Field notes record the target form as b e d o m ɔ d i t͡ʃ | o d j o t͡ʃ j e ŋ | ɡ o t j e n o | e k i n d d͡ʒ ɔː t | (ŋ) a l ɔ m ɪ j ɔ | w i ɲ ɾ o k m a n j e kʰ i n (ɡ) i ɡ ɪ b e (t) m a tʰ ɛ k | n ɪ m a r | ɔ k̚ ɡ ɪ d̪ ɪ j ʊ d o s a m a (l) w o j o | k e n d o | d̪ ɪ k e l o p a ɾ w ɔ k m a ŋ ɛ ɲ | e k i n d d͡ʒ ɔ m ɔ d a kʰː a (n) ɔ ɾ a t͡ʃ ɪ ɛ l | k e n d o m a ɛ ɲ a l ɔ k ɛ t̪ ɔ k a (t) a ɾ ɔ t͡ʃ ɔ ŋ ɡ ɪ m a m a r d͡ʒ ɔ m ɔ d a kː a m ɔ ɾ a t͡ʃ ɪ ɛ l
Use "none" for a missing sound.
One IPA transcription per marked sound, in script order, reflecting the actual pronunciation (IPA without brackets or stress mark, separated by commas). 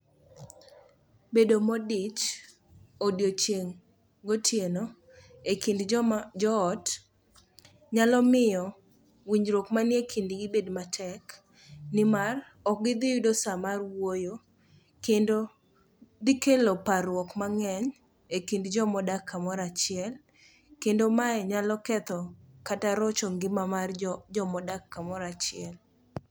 ɲ, d, d, r, m, t